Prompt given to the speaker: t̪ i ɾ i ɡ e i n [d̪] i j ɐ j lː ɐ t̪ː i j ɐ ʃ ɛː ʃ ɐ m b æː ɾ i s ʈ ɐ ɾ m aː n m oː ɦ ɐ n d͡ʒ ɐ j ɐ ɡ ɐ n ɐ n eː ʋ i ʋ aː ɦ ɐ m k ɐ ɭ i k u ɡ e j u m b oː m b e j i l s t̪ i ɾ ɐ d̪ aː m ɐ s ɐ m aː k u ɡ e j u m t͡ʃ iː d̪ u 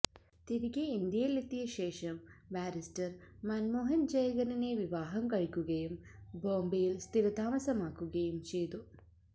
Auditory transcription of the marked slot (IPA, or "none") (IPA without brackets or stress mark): d̪